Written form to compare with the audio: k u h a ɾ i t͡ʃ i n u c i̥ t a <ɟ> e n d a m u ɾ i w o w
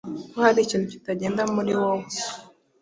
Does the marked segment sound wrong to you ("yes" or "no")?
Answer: no